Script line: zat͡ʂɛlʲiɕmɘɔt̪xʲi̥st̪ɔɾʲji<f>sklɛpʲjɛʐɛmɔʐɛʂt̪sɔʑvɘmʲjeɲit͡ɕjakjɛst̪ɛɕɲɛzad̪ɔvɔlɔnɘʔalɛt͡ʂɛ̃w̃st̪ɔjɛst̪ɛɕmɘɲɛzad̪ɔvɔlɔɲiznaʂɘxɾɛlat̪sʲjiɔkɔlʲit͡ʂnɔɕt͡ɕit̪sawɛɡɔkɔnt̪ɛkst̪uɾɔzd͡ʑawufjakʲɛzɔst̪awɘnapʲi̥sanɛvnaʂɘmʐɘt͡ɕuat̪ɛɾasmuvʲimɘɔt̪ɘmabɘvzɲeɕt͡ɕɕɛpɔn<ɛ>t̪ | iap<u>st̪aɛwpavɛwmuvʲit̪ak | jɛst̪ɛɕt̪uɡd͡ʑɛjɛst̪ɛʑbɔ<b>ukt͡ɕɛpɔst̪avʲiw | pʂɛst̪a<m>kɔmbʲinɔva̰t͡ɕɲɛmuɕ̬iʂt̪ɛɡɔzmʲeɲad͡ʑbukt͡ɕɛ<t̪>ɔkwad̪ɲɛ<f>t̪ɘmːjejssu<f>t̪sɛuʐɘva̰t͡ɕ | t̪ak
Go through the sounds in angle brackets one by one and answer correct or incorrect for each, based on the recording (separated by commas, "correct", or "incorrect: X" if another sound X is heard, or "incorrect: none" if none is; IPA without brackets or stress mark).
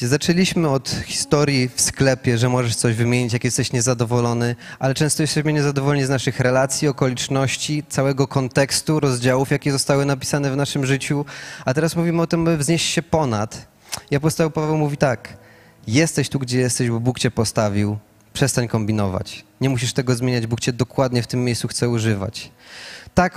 correct, incorrect: a, incorrect: ɔ, correct, incorrect: ɲ, incorrect: d̪, correct, incorrect: x